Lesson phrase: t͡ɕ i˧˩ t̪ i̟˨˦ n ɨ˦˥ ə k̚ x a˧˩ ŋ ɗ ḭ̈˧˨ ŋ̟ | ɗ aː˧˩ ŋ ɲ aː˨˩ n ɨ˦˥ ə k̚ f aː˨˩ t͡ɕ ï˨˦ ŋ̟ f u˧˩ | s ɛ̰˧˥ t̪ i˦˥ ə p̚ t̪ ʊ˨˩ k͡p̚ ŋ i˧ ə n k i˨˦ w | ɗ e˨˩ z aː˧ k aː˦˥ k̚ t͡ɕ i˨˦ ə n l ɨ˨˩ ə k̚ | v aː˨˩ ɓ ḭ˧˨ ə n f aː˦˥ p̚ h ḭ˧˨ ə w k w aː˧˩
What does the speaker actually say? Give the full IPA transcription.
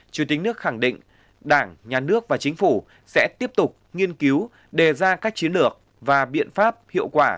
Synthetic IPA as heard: t͡ɕ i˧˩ t̪ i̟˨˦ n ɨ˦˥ ə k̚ x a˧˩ ŋ ɗ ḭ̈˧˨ ŋ̟ | ɗ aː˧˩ ŋ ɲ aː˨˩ n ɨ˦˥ ə k̚ v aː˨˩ t͡ɕ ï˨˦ ŋ̟ f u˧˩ | s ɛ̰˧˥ t̪ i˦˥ ə p̚ t̪ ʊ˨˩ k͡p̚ ŋ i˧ ə n k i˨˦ w | ɗ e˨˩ z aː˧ k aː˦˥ k̚ t͡ɕ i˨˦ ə n l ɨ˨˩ ə k̚ | v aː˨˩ ɓ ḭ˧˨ ə n f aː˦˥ p̚ h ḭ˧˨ ə w k w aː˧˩